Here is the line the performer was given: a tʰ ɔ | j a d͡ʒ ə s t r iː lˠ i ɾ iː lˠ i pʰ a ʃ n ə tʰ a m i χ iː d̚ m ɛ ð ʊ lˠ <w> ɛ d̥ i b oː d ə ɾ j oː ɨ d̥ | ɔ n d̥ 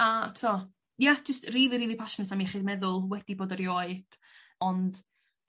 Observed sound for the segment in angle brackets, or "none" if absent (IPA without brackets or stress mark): w